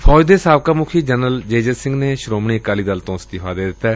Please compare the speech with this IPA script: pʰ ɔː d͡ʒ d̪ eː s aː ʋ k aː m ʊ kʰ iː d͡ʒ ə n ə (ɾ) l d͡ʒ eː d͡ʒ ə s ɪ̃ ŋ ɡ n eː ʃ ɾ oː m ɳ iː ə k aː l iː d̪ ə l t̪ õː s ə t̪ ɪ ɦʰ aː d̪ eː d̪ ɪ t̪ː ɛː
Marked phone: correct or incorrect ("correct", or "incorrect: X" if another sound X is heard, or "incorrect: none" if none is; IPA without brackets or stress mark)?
incorrect: none